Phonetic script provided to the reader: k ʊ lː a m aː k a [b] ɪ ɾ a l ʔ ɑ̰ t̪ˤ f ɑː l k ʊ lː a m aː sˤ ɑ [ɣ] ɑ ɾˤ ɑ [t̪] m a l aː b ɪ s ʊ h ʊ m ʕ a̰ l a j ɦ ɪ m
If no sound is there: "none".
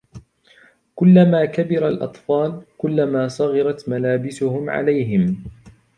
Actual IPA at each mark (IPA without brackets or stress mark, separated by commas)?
b, ɣ, t̪